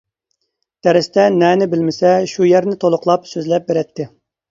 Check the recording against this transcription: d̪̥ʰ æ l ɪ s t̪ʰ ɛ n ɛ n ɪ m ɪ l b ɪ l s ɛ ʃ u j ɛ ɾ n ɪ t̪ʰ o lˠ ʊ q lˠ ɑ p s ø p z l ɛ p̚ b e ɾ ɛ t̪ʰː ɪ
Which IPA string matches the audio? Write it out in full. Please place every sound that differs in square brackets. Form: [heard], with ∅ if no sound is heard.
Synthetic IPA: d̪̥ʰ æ [ɾ] ɪ s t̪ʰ ɛ n ɛ n ɪ [b] ɪ l [m] ɪ [∅] s ɛ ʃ u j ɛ ɾ n ɪ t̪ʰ o lˠ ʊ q lˠ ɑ p s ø [∅] z l ɛ p̚ b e ɾ ɛ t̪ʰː ɪ